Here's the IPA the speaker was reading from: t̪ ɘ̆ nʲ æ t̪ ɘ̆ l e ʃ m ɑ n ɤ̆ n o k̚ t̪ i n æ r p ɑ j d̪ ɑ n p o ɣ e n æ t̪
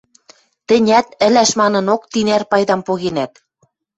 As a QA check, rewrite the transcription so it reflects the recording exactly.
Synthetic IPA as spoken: t̪ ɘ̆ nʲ æ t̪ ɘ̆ l æ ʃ m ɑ n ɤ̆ n o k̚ t̪ i n æ r p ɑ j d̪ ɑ m p o ɣ e n æ t̪